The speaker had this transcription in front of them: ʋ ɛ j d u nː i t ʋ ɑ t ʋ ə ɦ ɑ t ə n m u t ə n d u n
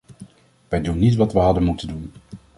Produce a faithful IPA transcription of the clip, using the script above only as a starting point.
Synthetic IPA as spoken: ʋ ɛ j d u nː i t ʋ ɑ t ʋ ə ɦ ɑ d ə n m u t ə n d u n